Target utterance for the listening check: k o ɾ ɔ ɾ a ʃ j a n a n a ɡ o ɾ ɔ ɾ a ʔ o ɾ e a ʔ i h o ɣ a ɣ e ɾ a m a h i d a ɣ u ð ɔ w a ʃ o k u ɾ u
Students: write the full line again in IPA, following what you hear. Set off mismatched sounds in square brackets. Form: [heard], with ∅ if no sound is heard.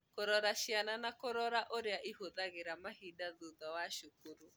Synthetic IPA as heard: k o ɾ ɔ ɾ a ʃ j a n a n a [k] o ɾ ɔ ɾ a ʔ o ɾ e a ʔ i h o [ð] a ɣ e ɾ a m a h i d a [ð] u ð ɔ w a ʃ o k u ɾ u